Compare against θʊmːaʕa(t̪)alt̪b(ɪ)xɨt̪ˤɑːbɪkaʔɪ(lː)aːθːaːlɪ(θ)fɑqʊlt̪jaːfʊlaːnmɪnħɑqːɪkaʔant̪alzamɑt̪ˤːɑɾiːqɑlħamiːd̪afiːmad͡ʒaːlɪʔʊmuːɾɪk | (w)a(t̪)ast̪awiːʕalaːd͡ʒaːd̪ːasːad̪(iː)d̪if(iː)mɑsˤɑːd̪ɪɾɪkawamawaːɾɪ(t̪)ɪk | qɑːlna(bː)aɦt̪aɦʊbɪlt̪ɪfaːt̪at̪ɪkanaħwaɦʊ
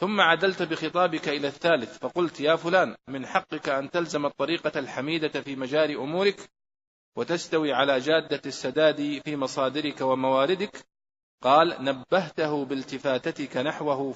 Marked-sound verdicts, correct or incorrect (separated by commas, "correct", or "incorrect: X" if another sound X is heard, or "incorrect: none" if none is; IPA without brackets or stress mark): incorrect: d̪, correct, incorrect: l, correct, correct, correct, incorrect: aː, correct, incorrect: d̪, correct